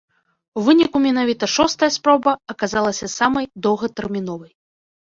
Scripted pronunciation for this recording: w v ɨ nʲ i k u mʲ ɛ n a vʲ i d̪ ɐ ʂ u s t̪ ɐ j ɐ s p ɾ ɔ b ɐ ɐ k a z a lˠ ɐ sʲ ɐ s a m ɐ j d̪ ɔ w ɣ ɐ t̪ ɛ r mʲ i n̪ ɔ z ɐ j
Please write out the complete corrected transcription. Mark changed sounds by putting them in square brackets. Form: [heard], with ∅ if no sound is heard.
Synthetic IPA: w v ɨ nʲ i k u mʲ ɛ n a vʲ i [t̪] ɐ ʂ [ɔ] s t̪ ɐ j ɐ s p ɾ ɔ b ɐ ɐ k a z a lˠ ɐ sʲ ɐ s a m ɐ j d̪ ɔ w ɣ ɐ t̪ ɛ r mʲ i n̪ ɔ [v] ɐ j